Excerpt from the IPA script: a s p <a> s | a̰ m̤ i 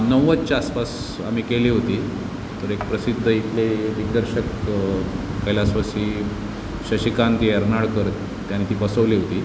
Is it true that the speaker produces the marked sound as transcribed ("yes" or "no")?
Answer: yes